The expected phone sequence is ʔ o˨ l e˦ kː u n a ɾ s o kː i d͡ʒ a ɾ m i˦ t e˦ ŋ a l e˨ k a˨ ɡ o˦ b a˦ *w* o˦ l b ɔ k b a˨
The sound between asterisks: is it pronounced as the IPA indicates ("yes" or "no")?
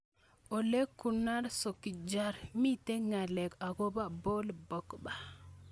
no